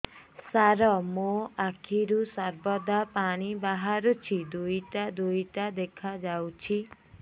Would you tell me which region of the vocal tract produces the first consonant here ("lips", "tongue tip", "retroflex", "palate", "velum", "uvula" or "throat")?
tongue tip